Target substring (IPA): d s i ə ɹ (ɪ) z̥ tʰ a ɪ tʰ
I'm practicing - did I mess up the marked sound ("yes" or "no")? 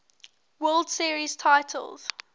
yes